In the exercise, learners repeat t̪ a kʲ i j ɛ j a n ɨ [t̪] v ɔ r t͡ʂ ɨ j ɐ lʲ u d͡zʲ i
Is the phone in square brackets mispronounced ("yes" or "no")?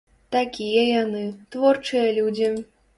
no